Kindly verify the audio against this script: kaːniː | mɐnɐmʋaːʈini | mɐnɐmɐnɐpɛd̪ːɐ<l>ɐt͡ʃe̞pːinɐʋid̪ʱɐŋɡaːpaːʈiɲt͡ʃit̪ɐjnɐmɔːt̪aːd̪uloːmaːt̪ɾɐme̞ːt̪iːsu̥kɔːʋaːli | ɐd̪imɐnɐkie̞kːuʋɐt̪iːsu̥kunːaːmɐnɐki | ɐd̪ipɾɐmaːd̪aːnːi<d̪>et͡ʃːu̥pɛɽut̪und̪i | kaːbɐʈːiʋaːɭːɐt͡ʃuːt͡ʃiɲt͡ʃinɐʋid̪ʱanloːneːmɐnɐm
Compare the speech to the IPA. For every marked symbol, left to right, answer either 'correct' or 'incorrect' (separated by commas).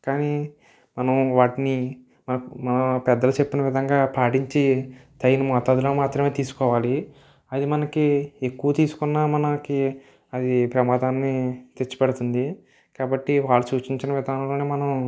correct, incorrect